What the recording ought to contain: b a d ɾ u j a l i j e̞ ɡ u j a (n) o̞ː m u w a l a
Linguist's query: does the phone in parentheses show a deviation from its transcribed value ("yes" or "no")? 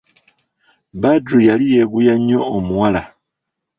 yes